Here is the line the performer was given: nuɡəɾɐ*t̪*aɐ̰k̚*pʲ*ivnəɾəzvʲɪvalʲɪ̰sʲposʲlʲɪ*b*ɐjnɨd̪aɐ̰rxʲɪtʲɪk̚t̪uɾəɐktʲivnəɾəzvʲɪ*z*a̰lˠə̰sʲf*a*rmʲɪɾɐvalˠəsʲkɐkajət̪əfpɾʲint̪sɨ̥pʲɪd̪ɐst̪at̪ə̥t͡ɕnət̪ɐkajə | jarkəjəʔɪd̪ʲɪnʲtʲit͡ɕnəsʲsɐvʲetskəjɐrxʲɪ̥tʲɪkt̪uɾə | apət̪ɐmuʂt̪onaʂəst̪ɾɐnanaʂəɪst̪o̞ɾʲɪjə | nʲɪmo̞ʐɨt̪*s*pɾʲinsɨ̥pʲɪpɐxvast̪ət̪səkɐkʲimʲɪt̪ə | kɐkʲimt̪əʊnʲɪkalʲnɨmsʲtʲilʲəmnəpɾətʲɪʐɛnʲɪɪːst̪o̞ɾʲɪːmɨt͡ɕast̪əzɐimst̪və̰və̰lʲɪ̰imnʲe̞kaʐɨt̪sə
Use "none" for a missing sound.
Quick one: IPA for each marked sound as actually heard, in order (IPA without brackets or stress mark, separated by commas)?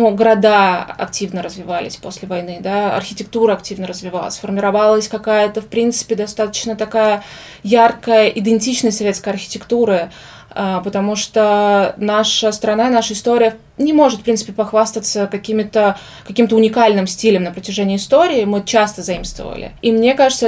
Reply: d̪, tʲ, v, v, ə, f